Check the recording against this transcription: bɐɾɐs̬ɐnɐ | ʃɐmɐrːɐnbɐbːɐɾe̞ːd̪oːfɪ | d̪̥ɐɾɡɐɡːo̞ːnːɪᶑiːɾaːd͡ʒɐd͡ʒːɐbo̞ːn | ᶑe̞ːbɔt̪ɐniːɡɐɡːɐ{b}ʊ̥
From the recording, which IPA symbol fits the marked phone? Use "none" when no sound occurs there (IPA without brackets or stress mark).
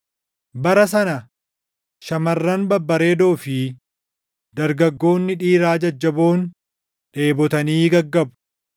b